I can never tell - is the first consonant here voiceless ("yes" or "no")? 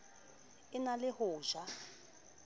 no